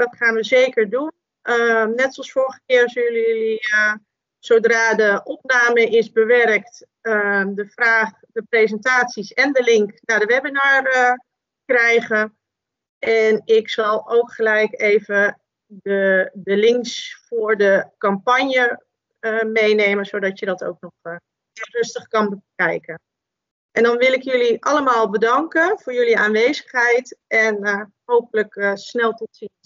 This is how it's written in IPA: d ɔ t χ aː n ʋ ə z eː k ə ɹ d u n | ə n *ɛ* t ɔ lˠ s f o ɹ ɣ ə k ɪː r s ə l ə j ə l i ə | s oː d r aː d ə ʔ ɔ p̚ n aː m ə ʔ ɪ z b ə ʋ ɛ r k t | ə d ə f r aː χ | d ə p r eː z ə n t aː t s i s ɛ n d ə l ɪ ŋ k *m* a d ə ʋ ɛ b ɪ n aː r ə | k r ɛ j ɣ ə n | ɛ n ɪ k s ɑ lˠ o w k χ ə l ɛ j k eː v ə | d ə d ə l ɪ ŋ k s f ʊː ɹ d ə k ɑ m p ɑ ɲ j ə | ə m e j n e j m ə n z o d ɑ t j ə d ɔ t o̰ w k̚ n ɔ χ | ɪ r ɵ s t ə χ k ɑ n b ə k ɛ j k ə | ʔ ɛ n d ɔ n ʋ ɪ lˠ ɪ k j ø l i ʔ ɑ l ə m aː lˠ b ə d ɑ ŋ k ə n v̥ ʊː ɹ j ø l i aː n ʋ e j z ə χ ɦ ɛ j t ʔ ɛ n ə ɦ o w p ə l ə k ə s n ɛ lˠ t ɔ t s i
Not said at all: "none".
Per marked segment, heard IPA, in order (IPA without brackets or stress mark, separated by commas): ɛ, n